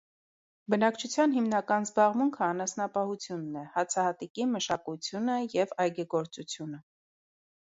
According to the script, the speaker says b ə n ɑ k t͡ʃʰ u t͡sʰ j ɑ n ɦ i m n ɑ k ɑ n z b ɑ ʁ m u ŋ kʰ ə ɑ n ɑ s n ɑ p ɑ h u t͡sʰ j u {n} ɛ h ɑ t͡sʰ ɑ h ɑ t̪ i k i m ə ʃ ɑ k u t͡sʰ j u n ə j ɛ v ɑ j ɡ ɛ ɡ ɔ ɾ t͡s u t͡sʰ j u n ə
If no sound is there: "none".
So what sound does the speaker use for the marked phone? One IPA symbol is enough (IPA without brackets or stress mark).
nː